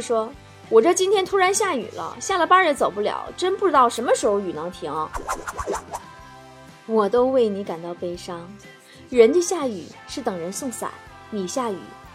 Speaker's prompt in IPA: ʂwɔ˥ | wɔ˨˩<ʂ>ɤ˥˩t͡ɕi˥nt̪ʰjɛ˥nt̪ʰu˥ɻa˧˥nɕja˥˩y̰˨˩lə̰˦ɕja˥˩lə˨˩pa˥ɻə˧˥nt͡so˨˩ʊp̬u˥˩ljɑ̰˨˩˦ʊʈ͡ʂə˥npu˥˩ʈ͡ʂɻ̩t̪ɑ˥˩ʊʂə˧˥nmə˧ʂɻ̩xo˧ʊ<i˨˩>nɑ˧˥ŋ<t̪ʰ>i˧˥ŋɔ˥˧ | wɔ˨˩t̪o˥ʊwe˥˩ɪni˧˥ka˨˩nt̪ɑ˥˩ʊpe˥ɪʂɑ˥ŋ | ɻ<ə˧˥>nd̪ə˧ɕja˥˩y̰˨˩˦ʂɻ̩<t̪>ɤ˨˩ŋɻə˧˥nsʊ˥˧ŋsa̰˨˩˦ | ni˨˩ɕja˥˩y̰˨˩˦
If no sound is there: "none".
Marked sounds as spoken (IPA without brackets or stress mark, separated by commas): ʈ͡ʂ, y˨˩, t̪ʰ, ə˧˥, t̪